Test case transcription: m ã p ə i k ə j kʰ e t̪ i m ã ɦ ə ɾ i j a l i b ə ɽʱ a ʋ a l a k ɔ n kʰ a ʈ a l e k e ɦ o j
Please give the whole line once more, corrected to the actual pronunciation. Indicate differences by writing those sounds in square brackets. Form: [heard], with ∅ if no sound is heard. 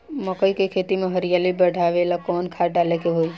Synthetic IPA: m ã [k] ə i k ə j kʰ e t̪ i m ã ɦ ə ɾ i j a l i b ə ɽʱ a ʋ [e] l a k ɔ n kʰ a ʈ a l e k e ɦ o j